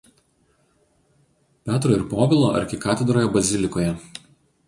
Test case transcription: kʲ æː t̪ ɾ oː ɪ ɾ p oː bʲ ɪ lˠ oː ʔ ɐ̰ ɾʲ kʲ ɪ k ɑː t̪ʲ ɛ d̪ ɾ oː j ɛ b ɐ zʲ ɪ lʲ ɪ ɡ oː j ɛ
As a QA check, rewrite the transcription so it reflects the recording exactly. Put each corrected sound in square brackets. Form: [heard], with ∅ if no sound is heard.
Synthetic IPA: [pʲ] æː t̪ ɾ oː ɪ ɾ p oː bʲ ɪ lˠ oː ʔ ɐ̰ ɾʲ kʲ ɪ k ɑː t̪ʲ ɛ d̪ ɾ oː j ɛ b ɐ zʲ ɪ lʲ ɪ [k] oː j ɛ